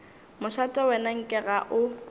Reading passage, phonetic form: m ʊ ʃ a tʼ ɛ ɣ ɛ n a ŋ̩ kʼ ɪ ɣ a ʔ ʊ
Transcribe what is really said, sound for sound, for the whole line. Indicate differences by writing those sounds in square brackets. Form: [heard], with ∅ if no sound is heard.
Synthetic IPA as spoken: m ʊ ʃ a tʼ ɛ [w] ɛ n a ŋ̩ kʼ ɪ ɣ a ʔ ʊ